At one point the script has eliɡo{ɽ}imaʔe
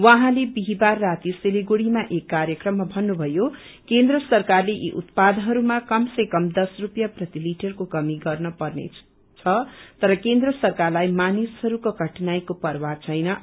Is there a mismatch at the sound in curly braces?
no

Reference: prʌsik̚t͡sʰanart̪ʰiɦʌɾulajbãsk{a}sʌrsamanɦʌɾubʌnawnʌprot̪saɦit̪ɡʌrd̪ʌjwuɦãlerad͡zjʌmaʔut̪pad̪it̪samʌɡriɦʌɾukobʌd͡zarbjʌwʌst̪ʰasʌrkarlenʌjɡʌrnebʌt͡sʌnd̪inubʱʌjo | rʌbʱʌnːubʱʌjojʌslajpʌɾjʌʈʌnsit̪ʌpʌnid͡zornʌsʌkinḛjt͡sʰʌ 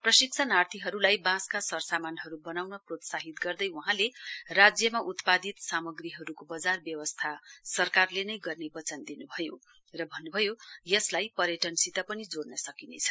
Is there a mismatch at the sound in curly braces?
no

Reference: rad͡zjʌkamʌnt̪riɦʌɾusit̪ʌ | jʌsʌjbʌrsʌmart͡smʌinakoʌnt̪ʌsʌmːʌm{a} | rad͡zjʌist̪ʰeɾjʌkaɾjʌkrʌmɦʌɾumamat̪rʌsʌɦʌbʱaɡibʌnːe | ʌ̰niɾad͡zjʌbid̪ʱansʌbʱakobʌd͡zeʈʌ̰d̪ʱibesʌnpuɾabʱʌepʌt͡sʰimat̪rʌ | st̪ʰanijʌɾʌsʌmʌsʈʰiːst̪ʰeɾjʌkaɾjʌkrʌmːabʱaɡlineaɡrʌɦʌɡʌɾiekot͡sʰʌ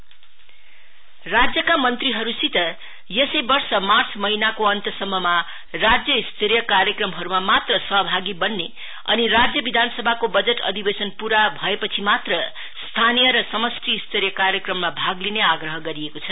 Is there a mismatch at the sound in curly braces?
no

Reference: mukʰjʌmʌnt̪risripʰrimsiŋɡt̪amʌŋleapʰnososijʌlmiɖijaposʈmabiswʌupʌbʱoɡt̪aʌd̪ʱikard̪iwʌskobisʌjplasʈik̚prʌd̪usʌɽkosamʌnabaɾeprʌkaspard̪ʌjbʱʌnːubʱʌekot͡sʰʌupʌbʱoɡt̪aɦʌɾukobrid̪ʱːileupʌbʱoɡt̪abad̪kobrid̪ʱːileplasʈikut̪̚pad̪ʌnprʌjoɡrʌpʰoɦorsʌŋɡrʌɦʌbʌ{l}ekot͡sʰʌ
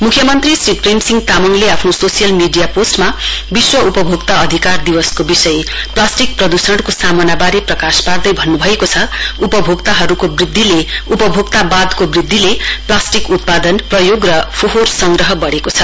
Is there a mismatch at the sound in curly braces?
yes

